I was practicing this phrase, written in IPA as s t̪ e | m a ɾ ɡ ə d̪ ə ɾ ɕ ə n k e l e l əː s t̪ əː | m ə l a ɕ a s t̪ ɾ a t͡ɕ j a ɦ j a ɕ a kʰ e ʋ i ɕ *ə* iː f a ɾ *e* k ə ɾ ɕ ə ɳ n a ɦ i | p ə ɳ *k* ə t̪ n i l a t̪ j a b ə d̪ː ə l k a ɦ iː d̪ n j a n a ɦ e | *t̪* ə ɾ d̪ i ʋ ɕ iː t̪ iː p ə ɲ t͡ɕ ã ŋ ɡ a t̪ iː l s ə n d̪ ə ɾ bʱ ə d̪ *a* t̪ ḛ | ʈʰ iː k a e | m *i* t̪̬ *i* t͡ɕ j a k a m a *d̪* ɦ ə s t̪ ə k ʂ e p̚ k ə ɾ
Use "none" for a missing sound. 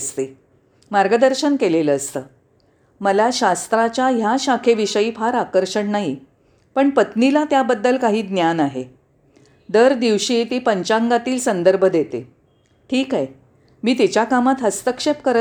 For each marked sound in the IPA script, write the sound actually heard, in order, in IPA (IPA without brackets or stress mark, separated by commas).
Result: ə, a, p, d̪, e, iː, i, t̪